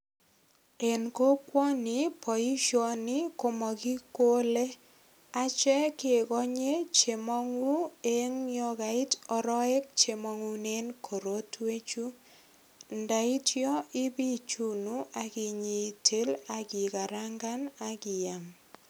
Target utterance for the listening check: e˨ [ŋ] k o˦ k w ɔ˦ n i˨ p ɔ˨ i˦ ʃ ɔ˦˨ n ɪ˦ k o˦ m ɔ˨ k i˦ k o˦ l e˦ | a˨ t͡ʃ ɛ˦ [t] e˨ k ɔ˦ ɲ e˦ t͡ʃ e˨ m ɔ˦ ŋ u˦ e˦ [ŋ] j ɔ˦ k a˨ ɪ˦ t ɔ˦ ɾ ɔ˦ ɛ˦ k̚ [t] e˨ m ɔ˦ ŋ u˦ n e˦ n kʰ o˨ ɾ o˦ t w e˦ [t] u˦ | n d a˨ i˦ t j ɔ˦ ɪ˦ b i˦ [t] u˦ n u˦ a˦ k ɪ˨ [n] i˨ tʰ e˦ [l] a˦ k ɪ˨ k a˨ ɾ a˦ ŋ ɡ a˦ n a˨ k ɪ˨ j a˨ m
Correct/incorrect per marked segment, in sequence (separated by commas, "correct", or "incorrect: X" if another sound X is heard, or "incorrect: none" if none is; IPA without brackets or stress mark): incorrect: n, incorrect: k, correct, incorrect: t͡ʃ, incorrect: t͡ʃ, incorrect: t͡ʃ, incorrect: ɲ, correct